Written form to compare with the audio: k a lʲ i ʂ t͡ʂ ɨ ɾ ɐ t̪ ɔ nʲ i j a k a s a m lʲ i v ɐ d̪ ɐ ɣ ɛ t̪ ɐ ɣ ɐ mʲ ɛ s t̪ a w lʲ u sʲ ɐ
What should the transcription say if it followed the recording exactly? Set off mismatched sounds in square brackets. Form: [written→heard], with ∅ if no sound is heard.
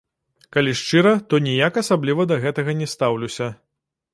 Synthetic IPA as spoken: k a lʲ i ʂ t͡ʂ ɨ ɾ ɐ t̪ ɔ nʲ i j a k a s a [m→b] lʲ i v ɐ d̪ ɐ ɣ ɛ t̪ ɐ ɣ ɐ [mʲ→nʲ] ɛ s t̪ a w lʲ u sʲ ɐ